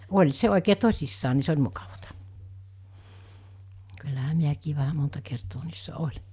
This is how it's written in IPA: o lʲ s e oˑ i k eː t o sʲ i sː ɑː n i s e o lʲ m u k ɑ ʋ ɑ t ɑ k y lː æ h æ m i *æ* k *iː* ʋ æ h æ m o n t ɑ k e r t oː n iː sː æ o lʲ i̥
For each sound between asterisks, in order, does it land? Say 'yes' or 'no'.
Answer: yes, yes

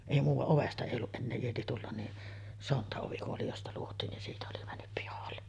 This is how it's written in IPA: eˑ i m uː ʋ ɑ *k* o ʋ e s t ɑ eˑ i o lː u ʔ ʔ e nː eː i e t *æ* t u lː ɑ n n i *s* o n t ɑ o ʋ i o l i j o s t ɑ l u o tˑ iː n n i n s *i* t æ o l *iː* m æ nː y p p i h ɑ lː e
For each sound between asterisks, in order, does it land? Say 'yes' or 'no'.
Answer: no, no, yes, no, no

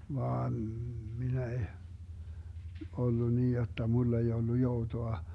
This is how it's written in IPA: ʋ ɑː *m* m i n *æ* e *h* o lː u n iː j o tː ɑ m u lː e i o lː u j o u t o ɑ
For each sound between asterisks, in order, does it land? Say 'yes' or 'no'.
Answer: no, yes, yes

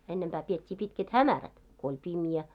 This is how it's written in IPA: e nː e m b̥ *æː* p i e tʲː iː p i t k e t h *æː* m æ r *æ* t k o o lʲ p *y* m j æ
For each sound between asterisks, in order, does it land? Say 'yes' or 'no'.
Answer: yes, no, yes, no

